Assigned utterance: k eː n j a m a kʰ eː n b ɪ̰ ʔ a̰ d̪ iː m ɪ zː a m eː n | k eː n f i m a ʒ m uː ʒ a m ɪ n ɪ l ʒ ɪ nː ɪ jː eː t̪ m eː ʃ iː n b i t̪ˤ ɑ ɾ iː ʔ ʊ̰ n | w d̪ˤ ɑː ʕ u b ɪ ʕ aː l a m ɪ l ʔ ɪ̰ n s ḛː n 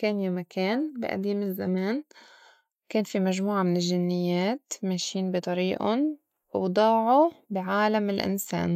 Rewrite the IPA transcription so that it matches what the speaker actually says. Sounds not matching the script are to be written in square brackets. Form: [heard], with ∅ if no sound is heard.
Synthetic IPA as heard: k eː n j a m a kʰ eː n b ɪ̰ ʔ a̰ d̪ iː m ɪ zː a m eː n | k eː n f i m a ʒ m uː [ʕ] a m ɪ n ɪ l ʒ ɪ nː ɪ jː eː t̪ m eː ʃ iː n b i t̪ˤ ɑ ɾ iː ʔ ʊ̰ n | w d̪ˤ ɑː ʕ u b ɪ ʕ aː l a m ɪ l ʔ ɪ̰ n s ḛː n